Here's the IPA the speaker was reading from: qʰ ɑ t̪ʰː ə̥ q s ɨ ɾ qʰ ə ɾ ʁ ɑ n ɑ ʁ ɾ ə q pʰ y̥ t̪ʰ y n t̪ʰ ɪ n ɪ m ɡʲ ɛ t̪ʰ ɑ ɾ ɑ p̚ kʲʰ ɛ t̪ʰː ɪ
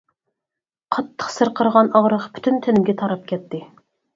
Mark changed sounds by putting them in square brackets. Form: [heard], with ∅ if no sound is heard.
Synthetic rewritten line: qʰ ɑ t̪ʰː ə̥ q s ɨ ɾ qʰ ə ɾ ʁ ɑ n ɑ ʁ ɾ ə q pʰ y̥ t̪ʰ y n t̪ʰ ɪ n ɪ m ɡʲ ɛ t̪ʰ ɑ ɾ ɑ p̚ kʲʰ ɛ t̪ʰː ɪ

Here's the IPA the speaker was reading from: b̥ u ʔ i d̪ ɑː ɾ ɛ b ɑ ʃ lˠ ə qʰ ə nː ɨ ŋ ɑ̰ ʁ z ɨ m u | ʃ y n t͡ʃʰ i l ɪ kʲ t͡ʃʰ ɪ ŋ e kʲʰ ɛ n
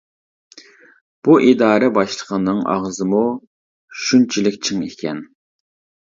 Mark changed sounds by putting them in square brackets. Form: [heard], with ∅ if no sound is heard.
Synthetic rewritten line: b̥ u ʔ i d̪ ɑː ɾ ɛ b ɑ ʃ lˠ ə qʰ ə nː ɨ ŋ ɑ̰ ʁ z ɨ m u | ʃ y n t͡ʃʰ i l ɪ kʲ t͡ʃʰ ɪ ŋ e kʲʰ ɛ n

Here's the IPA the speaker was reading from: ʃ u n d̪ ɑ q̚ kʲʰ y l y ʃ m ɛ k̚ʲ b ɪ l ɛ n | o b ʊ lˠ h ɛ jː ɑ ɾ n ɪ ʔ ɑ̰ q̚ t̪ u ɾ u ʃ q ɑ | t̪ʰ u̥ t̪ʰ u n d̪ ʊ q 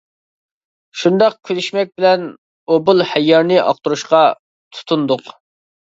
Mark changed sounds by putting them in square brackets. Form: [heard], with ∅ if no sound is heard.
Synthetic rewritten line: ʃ u n d̪ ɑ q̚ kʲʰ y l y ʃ m ɛ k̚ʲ b ɪ l ɛ n | o b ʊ lˠ h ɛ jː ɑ ɾ n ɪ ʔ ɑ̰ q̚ t̪ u ɾ u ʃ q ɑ | t̪ʰ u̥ t̪ʰ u n d̪ ʊ q

